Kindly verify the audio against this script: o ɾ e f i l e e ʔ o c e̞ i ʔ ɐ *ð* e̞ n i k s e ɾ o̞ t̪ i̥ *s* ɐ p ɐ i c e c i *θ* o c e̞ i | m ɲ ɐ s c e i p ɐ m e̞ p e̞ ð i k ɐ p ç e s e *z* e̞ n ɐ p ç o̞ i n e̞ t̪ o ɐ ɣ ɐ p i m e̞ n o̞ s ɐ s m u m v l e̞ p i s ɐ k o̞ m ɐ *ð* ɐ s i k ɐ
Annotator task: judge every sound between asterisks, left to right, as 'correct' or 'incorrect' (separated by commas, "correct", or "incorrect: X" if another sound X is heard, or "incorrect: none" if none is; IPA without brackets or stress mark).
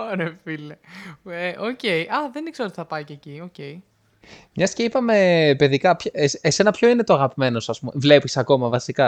correct, incorrect: θ, incorrect: none, incorrect: s, incorrect: v